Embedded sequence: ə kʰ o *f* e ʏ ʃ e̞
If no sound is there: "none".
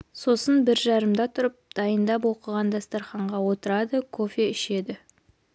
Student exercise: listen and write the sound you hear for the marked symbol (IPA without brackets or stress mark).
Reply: f